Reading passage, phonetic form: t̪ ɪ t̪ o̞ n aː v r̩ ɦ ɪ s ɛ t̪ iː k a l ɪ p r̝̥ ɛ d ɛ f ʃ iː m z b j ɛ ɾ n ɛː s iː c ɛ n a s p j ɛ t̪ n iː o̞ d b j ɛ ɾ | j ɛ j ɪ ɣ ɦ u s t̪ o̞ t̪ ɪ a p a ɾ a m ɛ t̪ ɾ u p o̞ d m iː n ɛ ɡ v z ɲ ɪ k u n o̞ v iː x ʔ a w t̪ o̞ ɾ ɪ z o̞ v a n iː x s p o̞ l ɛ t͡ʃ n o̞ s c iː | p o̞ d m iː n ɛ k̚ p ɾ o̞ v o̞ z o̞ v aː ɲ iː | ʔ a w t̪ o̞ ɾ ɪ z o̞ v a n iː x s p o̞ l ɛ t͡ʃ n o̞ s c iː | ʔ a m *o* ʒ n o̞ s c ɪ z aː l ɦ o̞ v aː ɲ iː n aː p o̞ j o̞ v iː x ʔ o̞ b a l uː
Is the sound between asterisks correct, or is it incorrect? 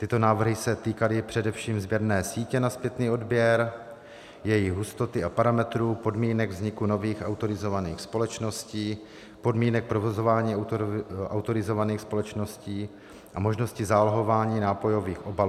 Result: correct